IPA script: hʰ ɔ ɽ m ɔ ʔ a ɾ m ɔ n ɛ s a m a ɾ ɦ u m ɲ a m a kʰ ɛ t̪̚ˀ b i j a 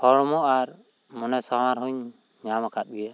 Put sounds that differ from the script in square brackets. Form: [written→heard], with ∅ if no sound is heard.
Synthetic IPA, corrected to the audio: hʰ ɔ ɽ m ɔ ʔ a ɾ m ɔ n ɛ s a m a ɾ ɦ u [m→ɲ] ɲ a m a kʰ [ɛ→a] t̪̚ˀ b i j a